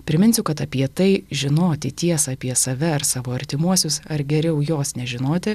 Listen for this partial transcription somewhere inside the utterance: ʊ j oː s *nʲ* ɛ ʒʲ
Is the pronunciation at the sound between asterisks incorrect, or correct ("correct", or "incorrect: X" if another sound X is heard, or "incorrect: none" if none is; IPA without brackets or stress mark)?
correct